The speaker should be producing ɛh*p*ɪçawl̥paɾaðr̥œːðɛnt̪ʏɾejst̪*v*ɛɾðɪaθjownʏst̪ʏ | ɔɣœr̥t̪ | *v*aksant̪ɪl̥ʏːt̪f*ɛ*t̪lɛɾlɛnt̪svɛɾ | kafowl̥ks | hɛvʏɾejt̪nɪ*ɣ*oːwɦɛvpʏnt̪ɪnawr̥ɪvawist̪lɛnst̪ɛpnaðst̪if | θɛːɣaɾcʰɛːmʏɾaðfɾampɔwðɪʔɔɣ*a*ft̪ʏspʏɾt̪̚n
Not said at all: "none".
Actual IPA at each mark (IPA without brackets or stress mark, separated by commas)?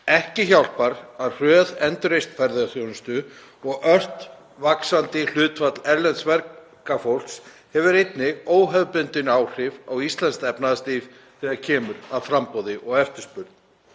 c, f, v, a, ɣ, ɛ